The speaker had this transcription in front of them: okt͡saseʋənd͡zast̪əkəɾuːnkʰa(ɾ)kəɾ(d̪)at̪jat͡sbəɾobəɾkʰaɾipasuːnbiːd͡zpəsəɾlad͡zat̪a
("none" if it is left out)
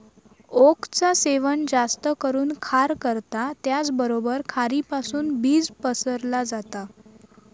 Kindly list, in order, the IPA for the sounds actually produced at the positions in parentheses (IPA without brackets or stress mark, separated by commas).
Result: ɾ, t̪